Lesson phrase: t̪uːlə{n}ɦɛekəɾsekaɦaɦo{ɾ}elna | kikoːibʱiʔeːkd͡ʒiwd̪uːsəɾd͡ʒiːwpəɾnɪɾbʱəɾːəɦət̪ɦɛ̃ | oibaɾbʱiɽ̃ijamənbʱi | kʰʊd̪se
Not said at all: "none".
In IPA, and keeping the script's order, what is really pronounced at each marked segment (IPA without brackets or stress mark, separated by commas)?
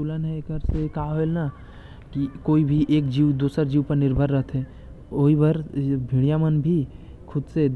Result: n, none